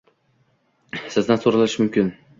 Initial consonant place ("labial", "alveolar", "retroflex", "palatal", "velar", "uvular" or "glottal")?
alveolar